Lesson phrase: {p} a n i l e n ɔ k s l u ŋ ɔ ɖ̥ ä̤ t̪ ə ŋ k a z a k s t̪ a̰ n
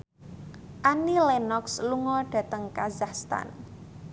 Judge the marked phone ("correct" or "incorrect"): incorrect